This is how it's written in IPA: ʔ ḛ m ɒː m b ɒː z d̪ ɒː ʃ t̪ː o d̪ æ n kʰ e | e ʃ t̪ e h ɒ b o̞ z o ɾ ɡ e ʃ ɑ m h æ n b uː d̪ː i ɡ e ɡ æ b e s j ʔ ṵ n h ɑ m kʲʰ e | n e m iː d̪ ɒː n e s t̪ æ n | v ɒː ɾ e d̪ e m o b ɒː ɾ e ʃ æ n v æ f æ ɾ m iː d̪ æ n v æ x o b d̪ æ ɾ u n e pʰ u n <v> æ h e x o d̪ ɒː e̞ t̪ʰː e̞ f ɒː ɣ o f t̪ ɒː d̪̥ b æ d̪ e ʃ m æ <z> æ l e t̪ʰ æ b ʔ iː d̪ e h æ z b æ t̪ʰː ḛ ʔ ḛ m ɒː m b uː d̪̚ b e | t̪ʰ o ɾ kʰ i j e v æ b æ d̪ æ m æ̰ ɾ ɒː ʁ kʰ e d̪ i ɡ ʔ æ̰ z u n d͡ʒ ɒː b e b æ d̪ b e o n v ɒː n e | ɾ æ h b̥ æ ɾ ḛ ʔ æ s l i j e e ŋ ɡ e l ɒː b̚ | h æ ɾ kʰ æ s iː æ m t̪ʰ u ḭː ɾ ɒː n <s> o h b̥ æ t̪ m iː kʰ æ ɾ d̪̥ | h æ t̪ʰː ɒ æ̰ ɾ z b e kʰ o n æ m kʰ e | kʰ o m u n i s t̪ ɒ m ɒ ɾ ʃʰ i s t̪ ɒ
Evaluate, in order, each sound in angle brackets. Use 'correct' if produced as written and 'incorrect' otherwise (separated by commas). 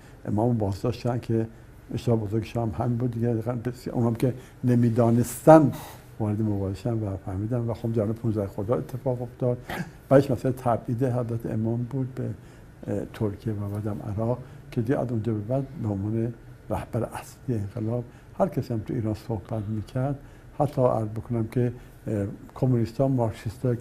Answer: incorrect, incorrect, correct